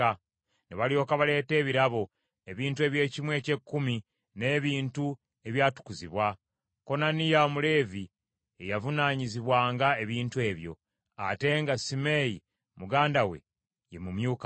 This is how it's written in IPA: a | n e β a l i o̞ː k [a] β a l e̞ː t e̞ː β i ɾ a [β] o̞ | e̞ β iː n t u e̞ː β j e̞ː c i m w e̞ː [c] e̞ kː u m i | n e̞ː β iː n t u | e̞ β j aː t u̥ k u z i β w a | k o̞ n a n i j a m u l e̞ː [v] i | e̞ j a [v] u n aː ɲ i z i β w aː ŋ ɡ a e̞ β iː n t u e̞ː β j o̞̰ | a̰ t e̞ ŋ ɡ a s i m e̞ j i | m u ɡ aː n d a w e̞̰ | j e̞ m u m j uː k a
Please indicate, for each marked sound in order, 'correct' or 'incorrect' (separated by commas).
correct, correct, correct, correct, correct